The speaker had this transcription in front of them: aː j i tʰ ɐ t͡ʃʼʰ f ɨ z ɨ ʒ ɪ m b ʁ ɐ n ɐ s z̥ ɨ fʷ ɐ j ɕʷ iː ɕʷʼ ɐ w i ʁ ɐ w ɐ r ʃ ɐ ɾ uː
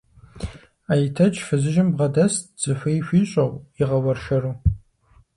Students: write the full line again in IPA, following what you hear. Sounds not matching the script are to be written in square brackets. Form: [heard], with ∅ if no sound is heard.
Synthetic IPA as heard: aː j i tʰ ɐ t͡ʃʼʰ f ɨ z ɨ ʒ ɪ m b ʁ ɐ [d] ɐ s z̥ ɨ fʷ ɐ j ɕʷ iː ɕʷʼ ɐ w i ʁ ɐ w ɐ r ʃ ɐ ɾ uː

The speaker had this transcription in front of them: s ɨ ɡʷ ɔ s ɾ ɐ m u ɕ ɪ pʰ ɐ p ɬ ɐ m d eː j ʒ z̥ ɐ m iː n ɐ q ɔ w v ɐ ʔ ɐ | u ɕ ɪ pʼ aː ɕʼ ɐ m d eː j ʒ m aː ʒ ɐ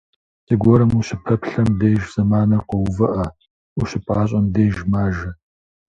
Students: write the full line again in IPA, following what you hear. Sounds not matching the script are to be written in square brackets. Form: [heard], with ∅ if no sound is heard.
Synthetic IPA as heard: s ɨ ɡʷ ɔ [∅] ɾ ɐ m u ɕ ɪ pʰ ɐ p ɬ ɐ m d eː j ʒ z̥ ɐ m [aː] n ɐ q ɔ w v ɐ ʔ ɐ | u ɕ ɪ pʼ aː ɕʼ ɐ m d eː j ʒ m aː ʒ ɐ

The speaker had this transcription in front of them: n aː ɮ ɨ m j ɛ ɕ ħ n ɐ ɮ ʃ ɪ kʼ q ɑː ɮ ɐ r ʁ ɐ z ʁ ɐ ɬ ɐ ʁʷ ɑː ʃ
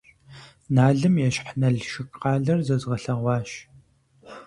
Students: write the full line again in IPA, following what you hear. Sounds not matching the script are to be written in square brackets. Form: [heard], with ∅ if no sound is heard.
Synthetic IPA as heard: n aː ɮ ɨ m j ɛ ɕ ħ n ɐ ɮ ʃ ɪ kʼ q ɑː ɮ ɐ r [z] ɐ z ʁ ɐ ɬ ɐ ʁʷ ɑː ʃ

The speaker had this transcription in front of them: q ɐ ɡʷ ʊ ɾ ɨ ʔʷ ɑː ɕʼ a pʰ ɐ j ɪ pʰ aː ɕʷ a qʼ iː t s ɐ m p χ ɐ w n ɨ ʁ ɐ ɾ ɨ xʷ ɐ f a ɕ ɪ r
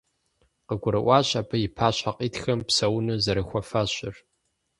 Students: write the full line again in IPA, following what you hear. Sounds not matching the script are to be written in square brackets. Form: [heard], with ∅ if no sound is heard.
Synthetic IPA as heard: q [ə] ɡʷ ʊ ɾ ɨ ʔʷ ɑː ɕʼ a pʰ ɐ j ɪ pʰ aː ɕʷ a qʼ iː t [x] ɐ m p [s] ɐ w n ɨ [z] ɐ ɾ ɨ xʷ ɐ f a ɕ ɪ r

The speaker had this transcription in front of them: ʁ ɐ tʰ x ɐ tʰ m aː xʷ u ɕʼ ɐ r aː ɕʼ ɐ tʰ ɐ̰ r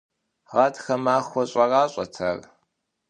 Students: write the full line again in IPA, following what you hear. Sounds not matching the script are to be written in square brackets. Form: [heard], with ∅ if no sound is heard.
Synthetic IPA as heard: ʁ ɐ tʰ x ɐ [∅] m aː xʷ [ɔ] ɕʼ ɐ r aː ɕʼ ɐ tʰ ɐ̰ r

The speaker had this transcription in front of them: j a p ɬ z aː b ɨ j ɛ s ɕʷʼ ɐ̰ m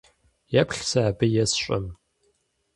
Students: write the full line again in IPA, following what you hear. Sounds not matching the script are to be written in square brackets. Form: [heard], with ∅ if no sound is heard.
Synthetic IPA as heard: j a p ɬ [s] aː b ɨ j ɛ s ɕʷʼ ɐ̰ m

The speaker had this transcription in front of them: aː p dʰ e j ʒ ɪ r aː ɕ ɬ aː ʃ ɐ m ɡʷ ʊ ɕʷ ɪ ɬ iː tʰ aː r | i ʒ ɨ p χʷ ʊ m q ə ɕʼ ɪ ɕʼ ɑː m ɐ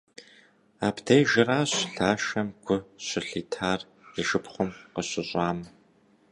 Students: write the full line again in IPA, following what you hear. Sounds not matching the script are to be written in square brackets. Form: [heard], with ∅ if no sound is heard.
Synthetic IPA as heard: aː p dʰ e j ʒ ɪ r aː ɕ ɬ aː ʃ ɐ m ɡʷ ʊ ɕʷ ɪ ɬ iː tʰ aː r | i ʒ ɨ p χʷ ʊ m q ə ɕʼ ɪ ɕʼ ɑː m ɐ

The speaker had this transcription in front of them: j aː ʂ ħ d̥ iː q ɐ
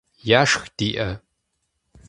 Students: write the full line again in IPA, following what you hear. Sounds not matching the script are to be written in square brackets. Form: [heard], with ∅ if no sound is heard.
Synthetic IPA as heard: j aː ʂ [x] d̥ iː [ʔ] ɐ

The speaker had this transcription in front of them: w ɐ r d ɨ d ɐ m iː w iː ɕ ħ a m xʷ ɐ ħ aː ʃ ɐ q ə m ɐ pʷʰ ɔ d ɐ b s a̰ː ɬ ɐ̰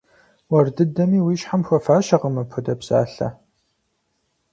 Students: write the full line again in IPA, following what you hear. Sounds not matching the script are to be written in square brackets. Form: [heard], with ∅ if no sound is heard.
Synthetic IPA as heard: w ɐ r d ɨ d ɐ m iː w iː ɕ ħ a m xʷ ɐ [f] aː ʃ ɐ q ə m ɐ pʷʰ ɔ d ɐ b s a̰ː ɬ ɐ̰

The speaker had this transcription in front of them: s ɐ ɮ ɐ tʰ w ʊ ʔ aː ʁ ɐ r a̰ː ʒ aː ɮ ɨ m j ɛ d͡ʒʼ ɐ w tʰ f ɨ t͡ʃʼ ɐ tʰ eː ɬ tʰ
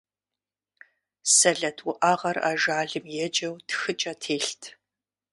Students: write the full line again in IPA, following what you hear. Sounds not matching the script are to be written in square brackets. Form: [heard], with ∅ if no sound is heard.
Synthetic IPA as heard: s ɐ ɮ ɐ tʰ w ʊ ʔ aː ʁ ɐ r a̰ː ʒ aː ɮ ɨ m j ɛ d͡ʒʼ ɐ w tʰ [x] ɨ t͡ʃʼ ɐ tʰ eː ɬ tʰ

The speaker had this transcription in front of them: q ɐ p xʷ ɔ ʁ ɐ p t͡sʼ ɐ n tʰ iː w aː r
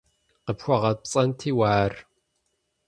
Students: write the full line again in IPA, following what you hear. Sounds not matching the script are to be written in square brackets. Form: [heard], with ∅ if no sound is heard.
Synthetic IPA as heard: q [ə] p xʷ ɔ ʁ ɐ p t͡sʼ ɐ n tʰ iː w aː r

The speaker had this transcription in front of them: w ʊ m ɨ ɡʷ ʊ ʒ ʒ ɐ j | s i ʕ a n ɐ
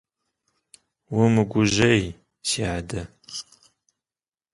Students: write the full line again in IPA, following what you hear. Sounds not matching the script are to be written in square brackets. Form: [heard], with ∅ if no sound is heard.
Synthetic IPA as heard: w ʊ m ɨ ɡʷ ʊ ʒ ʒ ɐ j | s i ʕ a [d] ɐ

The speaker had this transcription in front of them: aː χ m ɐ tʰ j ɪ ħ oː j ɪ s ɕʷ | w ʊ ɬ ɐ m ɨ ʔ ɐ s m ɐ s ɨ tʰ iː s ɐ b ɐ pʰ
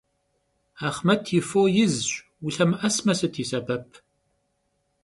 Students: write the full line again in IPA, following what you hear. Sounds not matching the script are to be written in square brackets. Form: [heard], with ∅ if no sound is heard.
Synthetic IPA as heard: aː χ m ɐ tʰ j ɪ [f] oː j ɪ [z] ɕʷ | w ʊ ɬ ɐ m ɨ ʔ ɐ s m ɐ s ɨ tʰ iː s ɐ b ɐ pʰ

